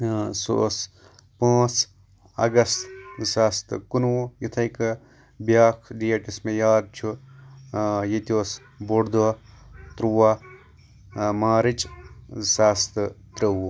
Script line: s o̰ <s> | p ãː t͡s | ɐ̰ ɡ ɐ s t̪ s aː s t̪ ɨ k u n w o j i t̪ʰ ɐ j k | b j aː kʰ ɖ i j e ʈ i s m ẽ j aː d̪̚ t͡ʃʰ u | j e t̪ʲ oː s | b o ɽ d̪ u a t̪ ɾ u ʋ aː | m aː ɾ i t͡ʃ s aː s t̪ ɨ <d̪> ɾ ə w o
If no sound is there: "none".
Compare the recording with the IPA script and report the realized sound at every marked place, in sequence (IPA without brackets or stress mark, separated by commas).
s, t̪